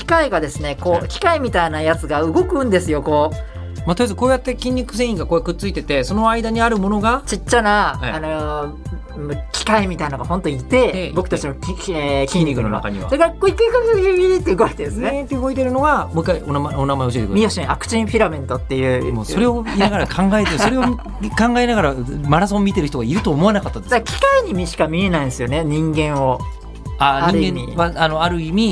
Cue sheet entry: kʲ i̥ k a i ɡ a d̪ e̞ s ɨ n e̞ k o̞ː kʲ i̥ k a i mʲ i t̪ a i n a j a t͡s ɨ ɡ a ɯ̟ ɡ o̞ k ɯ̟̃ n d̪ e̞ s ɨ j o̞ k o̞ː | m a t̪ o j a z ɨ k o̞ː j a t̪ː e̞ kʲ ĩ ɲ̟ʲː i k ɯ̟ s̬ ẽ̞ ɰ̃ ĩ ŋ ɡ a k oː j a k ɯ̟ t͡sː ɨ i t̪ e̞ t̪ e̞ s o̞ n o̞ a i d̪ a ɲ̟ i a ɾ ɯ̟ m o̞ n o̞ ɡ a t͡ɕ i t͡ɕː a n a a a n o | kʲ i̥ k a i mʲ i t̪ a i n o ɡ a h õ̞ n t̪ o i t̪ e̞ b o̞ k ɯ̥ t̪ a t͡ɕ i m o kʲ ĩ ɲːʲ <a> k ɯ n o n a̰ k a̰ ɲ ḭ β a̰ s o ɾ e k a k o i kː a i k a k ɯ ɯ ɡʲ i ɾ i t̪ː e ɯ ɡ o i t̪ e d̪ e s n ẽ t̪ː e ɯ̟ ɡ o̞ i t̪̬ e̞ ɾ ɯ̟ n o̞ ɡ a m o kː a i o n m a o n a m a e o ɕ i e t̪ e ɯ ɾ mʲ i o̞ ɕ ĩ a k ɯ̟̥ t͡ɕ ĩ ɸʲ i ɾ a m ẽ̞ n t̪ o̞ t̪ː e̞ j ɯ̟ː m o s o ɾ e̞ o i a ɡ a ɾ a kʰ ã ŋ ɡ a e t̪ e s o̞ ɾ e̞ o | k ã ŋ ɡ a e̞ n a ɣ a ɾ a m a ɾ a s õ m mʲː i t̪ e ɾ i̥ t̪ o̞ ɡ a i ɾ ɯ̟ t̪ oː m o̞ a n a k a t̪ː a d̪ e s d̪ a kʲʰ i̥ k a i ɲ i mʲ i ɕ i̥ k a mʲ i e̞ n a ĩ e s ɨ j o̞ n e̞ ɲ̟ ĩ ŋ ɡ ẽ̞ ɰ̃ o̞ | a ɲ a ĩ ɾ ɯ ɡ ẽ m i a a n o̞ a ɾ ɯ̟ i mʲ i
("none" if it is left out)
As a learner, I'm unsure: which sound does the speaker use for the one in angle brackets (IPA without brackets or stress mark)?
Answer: i